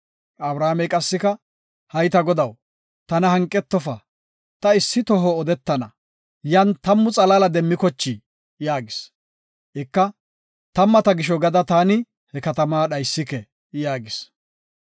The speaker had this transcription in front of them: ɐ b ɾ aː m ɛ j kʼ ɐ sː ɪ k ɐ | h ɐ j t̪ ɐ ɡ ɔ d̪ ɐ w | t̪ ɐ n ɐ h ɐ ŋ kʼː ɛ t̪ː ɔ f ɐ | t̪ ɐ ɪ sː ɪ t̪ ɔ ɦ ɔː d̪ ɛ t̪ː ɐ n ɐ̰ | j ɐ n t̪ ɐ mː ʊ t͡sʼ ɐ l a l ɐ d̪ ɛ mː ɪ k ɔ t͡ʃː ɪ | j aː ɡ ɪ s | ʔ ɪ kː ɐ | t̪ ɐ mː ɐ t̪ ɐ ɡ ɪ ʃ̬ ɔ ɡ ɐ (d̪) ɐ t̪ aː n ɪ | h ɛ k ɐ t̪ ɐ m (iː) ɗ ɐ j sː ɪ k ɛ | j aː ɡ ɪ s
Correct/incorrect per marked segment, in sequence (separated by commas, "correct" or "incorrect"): correct, incorrect